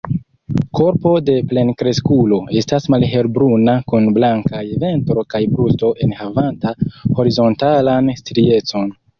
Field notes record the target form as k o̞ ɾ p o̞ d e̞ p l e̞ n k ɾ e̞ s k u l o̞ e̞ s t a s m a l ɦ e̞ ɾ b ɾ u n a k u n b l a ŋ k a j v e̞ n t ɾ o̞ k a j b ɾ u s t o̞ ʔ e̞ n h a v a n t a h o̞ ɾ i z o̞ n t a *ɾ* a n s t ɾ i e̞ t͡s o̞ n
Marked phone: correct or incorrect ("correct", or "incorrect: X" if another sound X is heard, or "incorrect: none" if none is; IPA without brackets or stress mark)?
incorrect: l